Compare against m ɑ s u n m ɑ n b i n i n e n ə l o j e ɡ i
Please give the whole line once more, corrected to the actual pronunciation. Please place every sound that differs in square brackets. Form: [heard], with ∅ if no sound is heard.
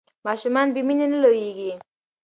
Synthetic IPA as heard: m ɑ [ʃ] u [∅] m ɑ n b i [m] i n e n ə l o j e ɡ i